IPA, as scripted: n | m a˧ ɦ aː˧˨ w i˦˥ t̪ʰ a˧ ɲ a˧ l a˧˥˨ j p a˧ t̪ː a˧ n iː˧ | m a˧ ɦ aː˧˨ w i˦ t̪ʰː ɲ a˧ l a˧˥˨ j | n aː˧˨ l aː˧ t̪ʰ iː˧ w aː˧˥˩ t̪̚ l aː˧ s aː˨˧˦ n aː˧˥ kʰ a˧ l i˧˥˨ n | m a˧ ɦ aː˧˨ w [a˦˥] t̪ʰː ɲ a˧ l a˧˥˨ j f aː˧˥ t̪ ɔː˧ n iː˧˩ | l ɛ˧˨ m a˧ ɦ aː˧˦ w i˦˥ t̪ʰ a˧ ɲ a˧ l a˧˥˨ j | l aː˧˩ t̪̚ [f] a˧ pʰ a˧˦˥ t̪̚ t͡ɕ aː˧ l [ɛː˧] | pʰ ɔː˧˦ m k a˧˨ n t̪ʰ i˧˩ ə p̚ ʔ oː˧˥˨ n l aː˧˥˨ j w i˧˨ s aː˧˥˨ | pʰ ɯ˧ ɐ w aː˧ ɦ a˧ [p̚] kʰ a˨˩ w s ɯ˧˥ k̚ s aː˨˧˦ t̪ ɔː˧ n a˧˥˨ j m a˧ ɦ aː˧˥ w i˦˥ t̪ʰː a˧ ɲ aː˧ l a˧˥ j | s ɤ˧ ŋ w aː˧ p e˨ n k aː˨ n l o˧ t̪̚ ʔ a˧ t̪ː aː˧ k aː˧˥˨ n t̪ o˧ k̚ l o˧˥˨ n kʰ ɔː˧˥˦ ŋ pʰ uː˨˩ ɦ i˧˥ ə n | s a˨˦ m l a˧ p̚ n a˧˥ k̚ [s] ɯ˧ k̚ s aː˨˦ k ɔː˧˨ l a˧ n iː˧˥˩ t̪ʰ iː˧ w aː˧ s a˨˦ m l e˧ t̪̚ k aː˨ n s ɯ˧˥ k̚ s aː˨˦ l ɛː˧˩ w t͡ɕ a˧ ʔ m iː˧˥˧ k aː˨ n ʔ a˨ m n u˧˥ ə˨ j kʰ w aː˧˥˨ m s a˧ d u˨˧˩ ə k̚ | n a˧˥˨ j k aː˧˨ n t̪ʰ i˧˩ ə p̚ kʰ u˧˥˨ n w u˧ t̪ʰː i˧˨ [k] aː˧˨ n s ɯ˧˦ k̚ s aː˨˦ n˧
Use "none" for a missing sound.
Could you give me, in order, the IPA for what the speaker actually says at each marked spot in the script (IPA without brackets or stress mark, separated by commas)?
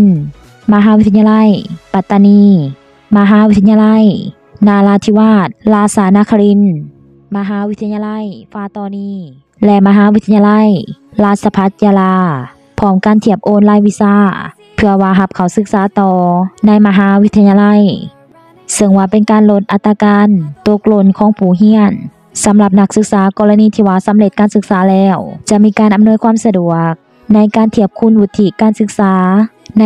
i˦˥, s, aː˧, p̚, s, k